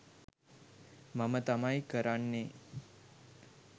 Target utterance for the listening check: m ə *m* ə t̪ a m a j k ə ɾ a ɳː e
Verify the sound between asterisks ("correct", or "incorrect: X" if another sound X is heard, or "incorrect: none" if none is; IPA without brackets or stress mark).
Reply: correct